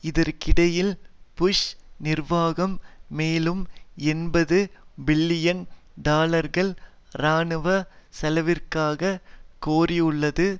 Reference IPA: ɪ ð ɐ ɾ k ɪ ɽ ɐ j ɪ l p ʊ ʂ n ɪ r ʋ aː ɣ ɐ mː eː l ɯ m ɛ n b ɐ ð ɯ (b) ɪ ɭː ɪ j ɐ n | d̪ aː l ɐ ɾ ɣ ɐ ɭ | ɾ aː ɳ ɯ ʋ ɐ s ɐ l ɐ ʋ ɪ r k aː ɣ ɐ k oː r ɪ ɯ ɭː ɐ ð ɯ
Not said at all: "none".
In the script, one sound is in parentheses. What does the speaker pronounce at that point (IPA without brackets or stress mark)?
b